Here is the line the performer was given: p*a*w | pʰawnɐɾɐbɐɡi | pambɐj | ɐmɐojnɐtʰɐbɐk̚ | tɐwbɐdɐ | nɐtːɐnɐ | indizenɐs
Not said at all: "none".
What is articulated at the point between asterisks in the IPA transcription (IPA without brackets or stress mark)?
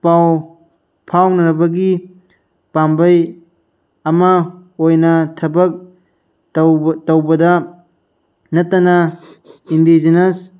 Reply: a